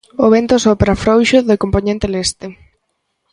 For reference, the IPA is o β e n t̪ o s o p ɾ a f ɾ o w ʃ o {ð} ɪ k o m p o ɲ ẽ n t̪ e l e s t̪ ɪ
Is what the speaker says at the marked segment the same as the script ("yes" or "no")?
yes